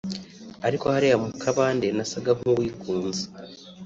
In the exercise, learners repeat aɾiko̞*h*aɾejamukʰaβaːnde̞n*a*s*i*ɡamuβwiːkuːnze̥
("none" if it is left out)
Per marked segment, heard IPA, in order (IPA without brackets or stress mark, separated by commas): h, a, a